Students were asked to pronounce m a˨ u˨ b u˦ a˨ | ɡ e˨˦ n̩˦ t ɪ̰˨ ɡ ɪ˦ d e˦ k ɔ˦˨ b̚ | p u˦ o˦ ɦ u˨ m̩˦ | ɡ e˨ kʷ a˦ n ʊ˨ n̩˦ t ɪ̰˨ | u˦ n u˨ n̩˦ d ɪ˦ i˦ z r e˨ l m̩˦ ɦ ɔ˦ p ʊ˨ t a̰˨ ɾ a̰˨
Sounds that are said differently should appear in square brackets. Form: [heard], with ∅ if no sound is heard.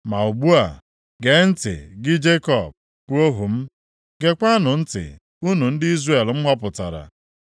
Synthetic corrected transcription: m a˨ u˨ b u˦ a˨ | ɡ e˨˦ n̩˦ t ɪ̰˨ ɡ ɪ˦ [d͡ʒ] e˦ k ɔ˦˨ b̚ | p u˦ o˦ ɦ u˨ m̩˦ | ɡ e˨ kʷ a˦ n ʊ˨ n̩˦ t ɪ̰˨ | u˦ n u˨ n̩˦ d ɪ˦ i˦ z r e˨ l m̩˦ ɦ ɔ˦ p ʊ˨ t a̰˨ ɾ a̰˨